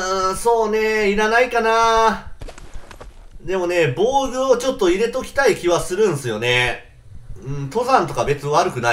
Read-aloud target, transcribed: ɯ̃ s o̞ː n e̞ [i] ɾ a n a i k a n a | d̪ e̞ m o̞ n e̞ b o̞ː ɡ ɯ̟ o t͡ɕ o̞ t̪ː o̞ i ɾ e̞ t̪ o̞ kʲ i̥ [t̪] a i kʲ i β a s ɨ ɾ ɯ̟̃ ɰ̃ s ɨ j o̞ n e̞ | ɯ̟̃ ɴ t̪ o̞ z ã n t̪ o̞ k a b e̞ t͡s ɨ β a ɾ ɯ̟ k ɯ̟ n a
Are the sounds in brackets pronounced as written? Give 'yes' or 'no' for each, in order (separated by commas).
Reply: yes, yes